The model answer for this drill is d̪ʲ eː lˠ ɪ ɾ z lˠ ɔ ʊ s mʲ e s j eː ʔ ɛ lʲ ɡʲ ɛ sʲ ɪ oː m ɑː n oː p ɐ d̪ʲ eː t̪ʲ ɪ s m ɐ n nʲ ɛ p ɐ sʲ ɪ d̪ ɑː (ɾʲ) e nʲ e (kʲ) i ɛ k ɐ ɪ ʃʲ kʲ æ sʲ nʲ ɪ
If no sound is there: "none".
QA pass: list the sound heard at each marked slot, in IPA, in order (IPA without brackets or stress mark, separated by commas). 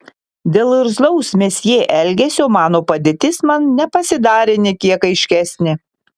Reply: ɾʲ, kʲ